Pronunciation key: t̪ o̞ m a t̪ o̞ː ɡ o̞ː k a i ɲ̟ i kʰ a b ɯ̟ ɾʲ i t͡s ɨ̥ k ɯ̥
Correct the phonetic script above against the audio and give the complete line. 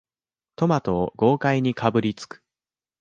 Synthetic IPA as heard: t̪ o̞ m a t̪ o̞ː ɡ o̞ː k a i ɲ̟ i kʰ a b ɯ̟ ɾʲ i t͡s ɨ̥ k ɯ̥